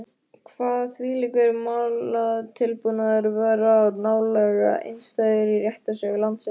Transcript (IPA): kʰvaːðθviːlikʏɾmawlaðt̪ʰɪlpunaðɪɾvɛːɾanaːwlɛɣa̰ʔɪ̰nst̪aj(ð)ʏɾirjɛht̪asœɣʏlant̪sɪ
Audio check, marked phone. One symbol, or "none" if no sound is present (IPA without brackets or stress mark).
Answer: ð